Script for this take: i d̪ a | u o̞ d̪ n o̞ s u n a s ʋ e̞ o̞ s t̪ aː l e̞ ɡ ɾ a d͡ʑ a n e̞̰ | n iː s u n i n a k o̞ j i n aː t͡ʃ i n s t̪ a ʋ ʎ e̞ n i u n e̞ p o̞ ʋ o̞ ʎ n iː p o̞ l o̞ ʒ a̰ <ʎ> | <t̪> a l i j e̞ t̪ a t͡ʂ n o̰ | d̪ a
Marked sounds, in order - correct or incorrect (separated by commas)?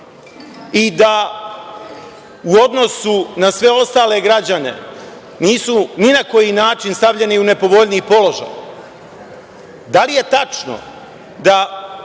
incorrect, incorrect